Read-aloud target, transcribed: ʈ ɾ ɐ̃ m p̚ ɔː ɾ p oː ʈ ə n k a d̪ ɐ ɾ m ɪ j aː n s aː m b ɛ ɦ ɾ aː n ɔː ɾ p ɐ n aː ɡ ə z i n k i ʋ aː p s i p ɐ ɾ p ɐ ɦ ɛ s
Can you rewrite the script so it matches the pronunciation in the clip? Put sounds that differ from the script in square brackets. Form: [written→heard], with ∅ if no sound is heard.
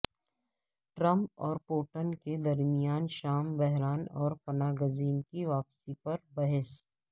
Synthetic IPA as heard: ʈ ɾ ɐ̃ m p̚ ɔː ɾ p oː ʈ ə n k [a→e] d̪ ɐ ɾ m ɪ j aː n [s→ʃ] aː m b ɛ ɦ ɾ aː n ɔː ɾ p ɐ n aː ɡ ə z [i→iː] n k i ʋ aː p s i p ɐ ɾ [p→b] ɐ ɦ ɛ s

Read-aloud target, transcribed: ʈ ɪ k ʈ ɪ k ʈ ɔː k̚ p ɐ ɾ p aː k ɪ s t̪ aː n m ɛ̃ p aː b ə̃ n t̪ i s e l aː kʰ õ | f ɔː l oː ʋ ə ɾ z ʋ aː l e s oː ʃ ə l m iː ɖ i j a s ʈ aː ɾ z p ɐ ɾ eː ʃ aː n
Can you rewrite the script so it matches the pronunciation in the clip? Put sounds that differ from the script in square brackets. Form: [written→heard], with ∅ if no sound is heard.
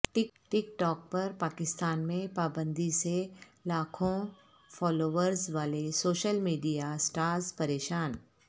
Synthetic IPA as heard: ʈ ɪ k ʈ ɪ k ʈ ɔː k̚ p ɐ ɾ p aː k ɪ s t̪ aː n m [ɛ̃→ẽ] p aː b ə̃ n [t̪→d̪] i s e l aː kʰ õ | f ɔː l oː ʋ ə ɾ z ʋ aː l e s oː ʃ ə l m iː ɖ i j a s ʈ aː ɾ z p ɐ ɾ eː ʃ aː n

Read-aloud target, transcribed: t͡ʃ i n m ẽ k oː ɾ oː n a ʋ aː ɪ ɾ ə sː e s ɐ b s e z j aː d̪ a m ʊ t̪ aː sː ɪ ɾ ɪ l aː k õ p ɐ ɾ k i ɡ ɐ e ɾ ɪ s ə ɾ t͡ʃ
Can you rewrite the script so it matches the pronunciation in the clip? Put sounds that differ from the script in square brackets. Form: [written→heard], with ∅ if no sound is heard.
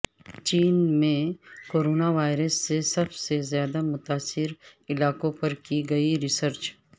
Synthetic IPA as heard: t͡ʃ [i→iː] n m ẽ k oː ɾ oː n a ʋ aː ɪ ɾ ə sː e s ɐ b s e z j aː d̪ a m ʊ t̪ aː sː ɪ ɾ ɪ l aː k õ p ɐ ɾ k i ɡ ɐ [e→i] ɾ ɪ s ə ɾ t͡ʃ

